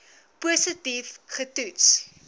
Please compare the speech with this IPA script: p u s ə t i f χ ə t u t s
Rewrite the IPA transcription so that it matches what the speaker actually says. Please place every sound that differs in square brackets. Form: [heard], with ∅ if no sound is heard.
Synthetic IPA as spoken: p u s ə t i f χ ə t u t s